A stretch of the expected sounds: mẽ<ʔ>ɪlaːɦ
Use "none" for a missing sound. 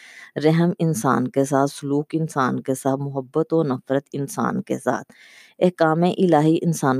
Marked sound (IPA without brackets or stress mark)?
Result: ʔ